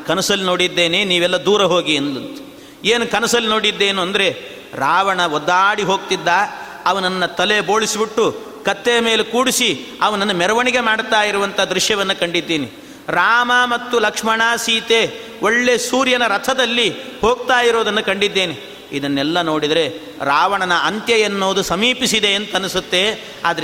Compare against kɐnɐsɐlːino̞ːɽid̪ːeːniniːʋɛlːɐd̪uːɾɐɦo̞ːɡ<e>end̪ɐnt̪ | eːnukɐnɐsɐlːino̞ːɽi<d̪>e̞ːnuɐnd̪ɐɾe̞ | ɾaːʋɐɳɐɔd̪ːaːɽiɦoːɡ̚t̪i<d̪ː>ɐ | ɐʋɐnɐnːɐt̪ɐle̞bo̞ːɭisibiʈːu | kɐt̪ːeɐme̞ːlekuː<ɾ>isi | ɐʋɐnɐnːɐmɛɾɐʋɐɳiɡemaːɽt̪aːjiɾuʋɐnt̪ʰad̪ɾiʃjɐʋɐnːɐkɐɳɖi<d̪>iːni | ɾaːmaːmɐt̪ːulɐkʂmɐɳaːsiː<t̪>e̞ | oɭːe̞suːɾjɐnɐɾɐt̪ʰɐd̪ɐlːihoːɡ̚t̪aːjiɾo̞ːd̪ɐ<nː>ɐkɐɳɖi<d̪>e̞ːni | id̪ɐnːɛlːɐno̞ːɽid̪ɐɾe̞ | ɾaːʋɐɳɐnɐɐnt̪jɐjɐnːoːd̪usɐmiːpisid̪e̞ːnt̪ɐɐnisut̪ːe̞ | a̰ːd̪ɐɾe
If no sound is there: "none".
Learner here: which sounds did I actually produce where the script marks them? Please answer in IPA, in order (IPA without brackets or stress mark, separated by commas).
i, d̪ː, d̪ː, ɽ, d̪ː, t̪, nː, d̪ː